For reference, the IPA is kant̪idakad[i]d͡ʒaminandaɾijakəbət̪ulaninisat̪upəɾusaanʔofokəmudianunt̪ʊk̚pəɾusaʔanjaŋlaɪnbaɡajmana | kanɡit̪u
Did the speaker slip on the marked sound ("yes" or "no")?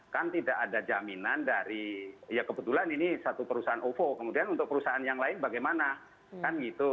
yes